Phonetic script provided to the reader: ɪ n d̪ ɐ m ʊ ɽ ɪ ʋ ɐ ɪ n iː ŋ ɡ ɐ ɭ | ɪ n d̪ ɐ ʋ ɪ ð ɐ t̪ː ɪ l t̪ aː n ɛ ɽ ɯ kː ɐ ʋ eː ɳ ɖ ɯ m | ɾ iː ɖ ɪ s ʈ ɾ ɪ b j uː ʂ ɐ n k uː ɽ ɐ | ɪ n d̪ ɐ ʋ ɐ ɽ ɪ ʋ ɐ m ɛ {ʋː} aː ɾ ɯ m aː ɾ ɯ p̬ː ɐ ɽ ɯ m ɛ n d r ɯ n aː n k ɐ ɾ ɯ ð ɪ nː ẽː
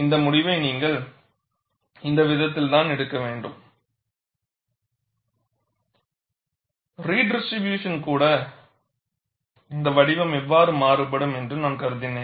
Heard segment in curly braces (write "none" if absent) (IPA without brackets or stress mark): ʋː